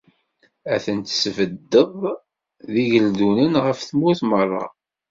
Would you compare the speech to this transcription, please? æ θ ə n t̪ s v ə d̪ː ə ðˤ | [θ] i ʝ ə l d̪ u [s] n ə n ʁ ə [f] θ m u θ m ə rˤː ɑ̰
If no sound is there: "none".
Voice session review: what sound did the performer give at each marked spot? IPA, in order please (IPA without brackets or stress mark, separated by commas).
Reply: ð, none, f